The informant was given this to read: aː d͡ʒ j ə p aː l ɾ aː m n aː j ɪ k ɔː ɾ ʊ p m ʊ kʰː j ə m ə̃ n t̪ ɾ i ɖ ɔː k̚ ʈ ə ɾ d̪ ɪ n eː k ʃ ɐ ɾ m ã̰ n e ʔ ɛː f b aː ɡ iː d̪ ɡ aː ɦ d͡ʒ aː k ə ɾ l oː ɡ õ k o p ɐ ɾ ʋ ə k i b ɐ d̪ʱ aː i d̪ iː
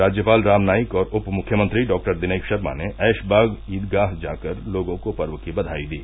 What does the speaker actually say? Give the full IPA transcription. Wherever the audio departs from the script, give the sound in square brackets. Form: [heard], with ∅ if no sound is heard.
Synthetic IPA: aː d͡ʒ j ə p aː l ɾ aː m n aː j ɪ k ɔː ɾ ʊ p m ʊ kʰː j ə m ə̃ n t̪ ɾ i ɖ ɔː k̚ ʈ ə ɾ d̪ ɪ n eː k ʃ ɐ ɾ m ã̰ n e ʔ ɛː [ʃ] b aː ɡ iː d̪ ɡ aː ɦ d͡ʒ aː k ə ɾ l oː ɡ õ k o p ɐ ɾ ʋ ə k i b ɐ d̪ʱ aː i d̪ iː

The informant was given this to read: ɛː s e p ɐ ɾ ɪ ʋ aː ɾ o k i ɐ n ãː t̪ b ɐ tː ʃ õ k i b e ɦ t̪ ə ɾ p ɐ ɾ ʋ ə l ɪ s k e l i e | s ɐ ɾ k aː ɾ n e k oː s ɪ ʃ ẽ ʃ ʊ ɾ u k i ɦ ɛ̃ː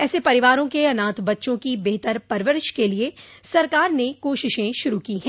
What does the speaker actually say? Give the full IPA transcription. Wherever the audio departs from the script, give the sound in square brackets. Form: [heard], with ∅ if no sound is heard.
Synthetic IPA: ɛː s e p ɐ ɾ ɪ ʋ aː ɾ [õ] k [e] ɐ n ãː t̪ b ɐ tː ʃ õ k i b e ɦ t̪ ə ɾ p ɐ ɾ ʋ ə [ɾ] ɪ [ʃ] k e l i e | s ɐ ɾ k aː ɾ n e k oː [ʃ] ɪ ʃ ẽ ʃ ʊ ɾ u k i ɦ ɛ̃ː

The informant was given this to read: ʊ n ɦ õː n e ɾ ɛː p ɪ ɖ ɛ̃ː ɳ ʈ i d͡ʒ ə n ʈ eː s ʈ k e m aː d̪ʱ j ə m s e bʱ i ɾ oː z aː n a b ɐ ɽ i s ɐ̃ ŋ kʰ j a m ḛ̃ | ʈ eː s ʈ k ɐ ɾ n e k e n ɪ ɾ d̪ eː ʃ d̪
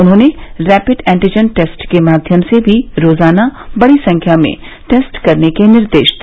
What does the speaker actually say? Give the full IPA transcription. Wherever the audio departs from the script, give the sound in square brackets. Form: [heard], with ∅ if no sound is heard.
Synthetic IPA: ʊ n ɦ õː n e ɾ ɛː p ɪ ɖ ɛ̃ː ɳ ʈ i d͡ʒ ə n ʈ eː s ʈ k e m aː d̪ʱ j ə m s e bʱ i ɾ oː z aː n a b ɐ ɽ i s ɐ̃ ŋ kʰ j a m ḛ̃ | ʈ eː s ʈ k ɐ ɾ n e k e n ɪ ɾ d̪ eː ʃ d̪

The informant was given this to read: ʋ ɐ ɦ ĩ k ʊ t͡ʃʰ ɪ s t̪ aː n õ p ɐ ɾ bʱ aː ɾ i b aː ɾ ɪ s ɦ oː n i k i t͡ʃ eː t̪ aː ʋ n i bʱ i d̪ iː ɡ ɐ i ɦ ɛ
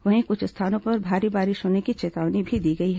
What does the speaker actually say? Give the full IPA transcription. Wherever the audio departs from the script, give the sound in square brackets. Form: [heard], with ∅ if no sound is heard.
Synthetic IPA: ʋ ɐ ɦ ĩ k ʊ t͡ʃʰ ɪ s [t̪ʰ] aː n õ p ɐ ɾ bʱ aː ɾ i b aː ɾ ɪ [ʃ] ɦ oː n [e] k i t͡ʃ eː t̪ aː ʋ n i bʱ i d̪ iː ɡ ɐ i ɦ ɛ

